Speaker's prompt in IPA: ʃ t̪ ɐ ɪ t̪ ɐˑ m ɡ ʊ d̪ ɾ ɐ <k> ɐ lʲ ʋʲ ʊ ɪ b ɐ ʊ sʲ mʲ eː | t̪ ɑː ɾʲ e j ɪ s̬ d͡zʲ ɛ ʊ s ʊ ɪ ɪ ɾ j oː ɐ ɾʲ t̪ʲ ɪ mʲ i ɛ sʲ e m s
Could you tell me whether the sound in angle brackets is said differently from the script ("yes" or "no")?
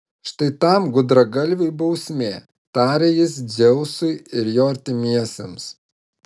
yes